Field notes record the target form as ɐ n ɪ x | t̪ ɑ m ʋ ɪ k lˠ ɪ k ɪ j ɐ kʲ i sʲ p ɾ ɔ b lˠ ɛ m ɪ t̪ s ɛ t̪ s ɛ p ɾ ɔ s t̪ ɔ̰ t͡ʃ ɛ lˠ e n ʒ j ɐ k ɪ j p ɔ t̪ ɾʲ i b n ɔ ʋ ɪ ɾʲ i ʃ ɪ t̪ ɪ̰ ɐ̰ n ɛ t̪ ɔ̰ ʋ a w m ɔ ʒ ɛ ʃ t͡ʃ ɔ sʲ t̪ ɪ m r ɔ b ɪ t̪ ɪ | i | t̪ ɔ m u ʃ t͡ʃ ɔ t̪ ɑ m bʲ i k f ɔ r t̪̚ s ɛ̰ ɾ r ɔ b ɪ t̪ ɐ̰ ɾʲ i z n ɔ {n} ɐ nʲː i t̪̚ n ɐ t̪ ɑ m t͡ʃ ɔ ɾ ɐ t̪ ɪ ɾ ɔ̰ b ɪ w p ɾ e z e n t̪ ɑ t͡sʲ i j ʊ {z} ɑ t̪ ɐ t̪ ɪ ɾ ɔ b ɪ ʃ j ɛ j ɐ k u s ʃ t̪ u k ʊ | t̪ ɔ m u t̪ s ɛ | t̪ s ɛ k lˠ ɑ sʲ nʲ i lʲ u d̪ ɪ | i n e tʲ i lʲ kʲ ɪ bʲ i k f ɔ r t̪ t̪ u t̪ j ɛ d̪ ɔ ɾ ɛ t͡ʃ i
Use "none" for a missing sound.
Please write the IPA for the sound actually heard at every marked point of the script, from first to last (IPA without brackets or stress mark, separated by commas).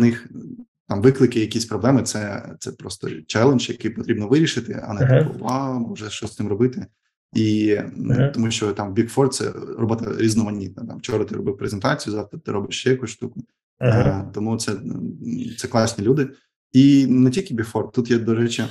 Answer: m, z